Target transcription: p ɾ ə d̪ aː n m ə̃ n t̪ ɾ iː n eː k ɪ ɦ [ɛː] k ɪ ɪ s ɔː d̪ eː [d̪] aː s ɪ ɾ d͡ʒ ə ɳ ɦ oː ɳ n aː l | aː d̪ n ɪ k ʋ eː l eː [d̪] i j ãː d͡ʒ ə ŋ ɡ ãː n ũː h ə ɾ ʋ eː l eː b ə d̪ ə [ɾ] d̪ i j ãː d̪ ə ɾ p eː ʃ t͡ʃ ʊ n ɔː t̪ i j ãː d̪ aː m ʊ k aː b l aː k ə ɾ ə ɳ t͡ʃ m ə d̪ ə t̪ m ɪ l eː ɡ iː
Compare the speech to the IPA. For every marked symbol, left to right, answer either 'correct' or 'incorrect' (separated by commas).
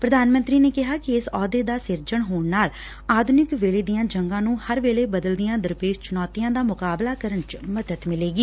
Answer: incorrect, correct, correct, incorrect